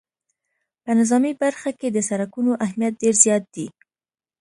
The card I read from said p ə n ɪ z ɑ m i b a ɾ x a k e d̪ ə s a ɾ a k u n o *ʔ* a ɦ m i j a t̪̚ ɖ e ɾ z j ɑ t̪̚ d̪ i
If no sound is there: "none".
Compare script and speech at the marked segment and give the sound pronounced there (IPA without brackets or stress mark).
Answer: ʔ